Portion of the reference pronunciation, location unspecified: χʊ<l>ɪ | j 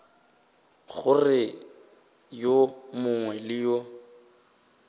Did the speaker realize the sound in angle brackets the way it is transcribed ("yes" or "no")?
no